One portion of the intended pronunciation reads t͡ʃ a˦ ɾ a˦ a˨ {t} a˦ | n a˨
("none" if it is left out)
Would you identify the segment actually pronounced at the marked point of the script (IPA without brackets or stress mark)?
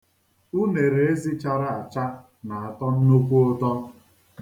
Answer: t͡ʃ